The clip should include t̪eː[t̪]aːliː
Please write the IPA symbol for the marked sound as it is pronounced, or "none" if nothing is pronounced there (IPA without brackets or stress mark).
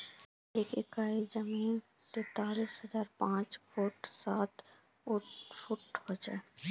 t̪